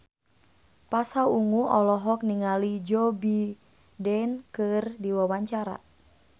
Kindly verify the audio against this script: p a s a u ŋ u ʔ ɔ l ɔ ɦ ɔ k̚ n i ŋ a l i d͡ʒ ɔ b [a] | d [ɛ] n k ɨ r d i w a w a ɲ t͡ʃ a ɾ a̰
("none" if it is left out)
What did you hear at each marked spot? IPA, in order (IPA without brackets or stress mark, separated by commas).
i, ɛ